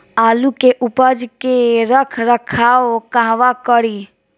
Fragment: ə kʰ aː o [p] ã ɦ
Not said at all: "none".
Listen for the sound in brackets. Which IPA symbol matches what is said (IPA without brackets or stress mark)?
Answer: k